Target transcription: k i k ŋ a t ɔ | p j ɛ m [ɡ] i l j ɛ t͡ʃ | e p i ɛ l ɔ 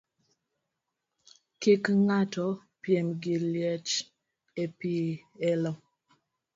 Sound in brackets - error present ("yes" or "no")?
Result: no